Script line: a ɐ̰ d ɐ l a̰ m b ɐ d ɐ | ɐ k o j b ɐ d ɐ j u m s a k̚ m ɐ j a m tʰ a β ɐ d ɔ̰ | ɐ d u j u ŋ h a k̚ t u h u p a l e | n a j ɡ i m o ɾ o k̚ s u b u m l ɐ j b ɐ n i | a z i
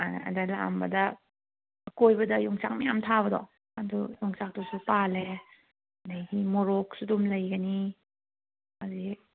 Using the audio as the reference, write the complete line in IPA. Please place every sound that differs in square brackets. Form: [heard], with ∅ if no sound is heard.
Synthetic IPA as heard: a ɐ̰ d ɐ l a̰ m b ɐ d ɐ | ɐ k o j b ɐ d ɐ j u [ŋ] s a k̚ m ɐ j a m tʰ a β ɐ d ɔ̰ | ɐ d u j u ŋ [s] a k̚ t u [s] u p a l e | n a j ɡ i m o ɾ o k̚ s u [d] u m l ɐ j [ɡ] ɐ n i | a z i